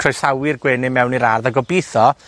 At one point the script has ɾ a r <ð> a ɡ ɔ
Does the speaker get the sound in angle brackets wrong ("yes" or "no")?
no